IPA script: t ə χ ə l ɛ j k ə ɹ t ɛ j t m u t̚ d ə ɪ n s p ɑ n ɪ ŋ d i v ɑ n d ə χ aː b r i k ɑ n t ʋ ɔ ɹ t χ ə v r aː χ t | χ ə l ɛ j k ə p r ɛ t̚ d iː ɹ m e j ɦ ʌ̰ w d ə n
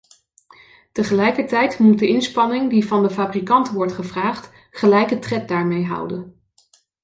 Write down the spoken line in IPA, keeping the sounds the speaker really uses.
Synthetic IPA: t ə χ ə l ɛ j k ə ɹ t ɛ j t m u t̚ d ə ɪ n s p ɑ n ɪ ŋ d i v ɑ n d ə f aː b r i k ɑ n t ʋ ɔ ɹ t χ ə v r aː χ t | χ ə l ɛ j k ə t r ɛ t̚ d aː ɹ m e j ɦ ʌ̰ w d ə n